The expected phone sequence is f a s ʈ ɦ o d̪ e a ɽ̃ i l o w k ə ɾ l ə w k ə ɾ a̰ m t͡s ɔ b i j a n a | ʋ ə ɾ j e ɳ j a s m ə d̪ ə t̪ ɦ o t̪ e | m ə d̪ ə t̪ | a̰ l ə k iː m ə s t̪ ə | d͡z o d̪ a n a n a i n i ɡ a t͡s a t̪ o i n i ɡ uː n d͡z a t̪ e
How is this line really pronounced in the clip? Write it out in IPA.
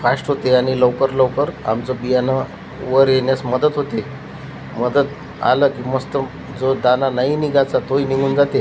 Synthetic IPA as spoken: f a s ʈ ɦ o t̪ e a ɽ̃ i l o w k ə ɾ l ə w k ə ɾ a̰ m t͡s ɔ b i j a n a | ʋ ə ɾ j e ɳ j a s m ə d̪ ə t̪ ɦ o t̪ e | m ə d̪ ə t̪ | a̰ l ə k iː m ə s t̪ ə | d͡z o d̪ a n a n a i n i ɡ a t͡s a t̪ o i n i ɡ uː n d͡z a t̪ e